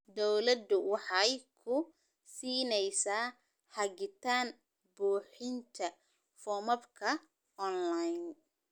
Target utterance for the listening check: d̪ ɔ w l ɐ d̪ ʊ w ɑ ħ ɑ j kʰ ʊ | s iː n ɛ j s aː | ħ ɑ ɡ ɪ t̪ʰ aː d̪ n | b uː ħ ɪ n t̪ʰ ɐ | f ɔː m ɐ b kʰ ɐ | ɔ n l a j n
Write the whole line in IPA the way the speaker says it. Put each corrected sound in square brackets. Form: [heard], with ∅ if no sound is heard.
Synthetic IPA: d̪ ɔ w l ɐ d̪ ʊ w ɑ ħ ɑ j kʰ ʊ | s iː n ɛ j s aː | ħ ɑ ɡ ɪ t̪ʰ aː [∅] n | b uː ħ ɪ n t̪ʰ ɐ | f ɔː m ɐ b kʰ ɐ | ɔ n l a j n

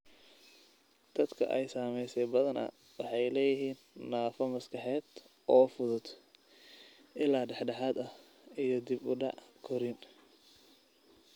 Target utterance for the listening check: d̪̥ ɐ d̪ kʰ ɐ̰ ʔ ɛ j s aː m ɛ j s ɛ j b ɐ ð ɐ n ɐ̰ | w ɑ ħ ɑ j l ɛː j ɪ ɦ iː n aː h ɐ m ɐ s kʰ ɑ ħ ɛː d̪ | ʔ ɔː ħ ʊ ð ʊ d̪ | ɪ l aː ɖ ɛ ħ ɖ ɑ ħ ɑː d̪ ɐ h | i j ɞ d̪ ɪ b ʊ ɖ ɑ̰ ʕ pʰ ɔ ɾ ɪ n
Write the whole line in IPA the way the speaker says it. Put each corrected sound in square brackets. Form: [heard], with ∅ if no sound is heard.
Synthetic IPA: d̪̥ ɐ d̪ kʰ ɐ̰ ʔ ɛ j s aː m ɛ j s ɛ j b ɐ ð ɐ n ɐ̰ | w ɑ ħ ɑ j l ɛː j ɪ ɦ iː [nː] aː [f] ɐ m ɐ s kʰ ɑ ħ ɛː d̪ | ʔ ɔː [f] ʊ ð ʊ d̪ | ɪ l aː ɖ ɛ ħ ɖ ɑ ħ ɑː d̪ ɐ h | i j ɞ d̪ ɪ b ʊ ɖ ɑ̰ ʕ [kʰ] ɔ ɾ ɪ n

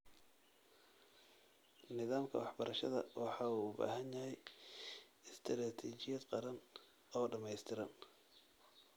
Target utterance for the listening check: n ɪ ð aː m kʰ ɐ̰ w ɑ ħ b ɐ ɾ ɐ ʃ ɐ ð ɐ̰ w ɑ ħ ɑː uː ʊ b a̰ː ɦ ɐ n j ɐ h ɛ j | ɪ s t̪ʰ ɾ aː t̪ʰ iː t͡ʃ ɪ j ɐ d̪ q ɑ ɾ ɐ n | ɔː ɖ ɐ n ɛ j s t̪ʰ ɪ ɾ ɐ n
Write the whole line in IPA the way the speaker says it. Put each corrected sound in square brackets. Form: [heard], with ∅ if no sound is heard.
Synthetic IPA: n ɪ ð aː m kʰ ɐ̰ w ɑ ħ b ɐ ɾ ɐ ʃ ɐ ð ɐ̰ w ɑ ħ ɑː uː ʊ b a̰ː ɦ ɐ n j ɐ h ɛ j | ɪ s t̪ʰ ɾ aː t̪ʰ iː t͡ʃ ɪ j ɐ d̪ q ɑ ɾ ɐ n | ɔː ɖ ɐ [m] ɛ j s t̪ʰ ɪ ɾ ɐ n

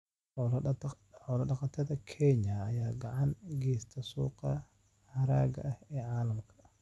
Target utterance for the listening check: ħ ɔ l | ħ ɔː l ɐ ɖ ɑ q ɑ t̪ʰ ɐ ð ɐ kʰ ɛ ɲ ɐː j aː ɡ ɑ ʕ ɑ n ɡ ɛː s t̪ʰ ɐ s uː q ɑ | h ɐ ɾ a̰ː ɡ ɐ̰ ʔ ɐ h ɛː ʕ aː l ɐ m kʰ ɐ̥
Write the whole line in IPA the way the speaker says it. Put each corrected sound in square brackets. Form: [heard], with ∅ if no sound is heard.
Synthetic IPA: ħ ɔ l | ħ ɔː l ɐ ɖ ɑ q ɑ t̪ʰ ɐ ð ɐ kʰ ɛ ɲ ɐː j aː ɡ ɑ ʕ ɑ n ɡ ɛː s t̪ʰ ɐ s uː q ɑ | h ɐ ɾ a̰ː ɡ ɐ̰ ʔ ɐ h ɛː ʕ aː l ɐ m kʰ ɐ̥

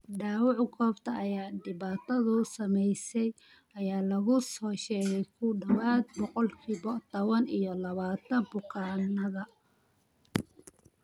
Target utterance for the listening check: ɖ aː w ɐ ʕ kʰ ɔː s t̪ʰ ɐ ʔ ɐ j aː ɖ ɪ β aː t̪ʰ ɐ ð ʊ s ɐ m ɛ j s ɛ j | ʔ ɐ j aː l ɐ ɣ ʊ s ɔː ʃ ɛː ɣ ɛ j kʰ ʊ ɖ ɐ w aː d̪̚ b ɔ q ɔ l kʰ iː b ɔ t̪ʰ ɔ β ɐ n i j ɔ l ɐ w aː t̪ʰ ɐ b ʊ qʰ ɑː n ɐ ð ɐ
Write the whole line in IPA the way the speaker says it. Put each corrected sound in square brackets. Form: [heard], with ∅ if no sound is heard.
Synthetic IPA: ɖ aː w [ɑ] ʕ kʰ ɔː [f] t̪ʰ ɐ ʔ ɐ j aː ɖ ɪ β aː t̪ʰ ɐ ð ʊ s ɐ m ɛ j s ɛ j | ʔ ɐ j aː l ɐ ɣ ʊ s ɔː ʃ ɛː ɣ ɛ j kʰ ʊ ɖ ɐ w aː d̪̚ b ɔ q ɔ l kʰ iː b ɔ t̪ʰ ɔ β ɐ n i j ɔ l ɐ [β] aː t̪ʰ ɐ b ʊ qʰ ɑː n ɐ ð ɐ

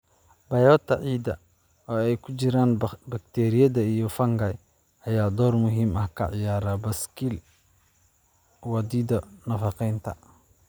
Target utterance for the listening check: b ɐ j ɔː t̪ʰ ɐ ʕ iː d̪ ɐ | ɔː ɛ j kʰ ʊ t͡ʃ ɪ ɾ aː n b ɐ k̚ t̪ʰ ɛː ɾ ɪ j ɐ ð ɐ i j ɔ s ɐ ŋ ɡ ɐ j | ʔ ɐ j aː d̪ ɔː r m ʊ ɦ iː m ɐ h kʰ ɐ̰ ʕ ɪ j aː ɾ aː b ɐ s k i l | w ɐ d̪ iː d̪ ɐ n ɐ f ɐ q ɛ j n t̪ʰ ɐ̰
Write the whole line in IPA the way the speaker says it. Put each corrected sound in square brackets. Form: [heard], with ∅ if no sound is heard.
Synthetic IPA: b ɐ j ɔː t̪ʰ ɐ ʕ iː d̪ ɐ | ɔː ɛ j kʰ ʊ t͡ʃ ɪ ɾ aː n b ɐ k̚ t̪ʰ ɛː ɾ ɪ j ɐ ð ɐ i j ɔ [f] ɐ ŋ ɡ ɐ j | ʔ ɐ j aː d̪ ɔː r m ʊ ɦ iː m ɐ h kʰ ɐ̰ ʕ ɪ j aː ɾ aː b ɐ s k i l | w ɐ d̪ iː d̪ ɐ n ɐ f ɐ q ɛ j n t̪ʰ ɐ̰

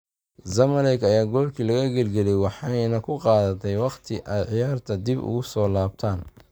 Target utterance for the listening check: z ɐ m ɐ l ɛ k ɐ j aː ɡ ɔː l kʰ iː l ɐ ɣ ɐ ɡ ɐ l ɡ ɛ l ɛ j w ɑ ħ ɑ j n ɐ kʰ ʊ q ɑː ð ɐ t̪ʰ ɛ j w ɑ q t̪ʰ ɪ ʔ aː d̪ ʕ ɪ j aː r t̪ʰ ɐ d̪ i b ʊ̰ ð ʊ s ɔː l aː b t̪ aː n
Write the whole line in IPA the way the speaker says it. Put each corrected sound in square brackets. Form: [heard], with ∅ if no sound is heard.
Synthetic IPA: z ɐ m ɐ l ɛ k ɐ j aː ɡ ɔː l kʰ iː l ɐ ɣ ɐ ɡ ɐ l ɡ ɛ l ɛ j w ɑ ħ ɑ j n ɐ kʰ ʊ q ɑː ð ɐ t̪ʰ ɛ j w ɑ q t̪ʰ ɪ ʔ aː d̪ ʕ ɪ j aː r t̪ʰ ɐ d̪ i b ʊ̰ [ɣ] ʊ s ɔː l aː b [t̪ʰ] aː n

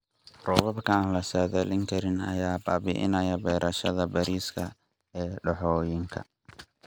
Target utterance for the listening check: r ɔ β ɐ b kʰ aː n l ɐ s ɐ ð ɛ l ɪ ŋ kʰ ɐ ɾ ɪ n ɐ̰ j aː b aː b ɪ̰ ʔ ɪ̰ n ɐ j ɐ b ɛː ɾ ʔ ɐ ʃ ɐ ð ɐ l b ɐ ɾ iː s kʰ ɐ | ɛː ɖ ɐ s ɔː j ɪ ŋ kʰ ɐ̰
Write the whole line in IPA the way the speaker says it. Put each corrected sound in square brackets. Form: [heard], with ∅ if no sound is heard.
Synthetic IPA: r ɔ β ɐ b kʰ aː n l ɐ s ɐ ð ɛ l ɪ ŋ kʰ ɐ ɾ ɪ n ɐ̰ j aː b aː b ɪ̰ ʔ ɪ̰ n ɐ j ɐ b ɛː ɾ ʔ ɐ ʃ ɐ ð ɐ [∅] b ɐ ɾ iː s kʰ ɐ | ɛː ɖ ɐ [ħ] ɔː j ɪ ŋ kʰ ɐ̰

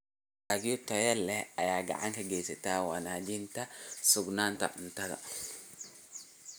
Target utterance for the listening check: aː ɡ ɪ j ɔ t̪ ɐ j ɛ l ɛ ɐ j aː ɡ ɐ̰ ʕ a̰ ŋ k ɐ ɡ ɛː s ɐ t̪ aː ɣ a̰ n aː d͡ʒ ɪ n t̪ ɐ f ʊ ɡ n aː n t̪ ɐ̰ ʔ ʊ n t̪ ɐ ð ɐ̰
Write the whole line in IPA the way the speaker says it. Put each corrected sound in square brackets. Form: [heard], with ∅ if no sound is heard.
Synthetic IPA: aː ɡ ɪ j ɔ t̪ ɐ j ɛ l ɛ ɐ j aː ɡ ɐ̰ ʕ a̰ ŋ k ɐ ɡ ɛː s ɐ t̪ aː [w] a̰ n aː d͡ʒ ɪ n t̪ ɐ [s] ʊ ɡ n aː n t̪ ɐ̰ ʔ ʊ n t̪ ɐ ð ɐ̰

